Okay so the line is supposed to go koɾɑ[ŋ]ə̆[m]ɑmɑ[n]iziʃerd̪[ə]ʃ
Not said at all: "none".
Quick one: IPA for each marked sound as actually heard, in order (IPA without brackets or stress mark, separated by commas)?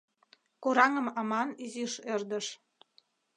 ŋ, m, n, ə